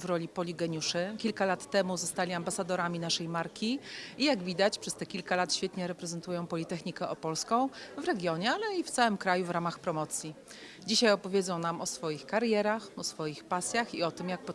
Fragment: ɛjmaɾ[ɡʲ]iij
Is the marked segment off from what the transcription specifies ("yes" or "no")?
yes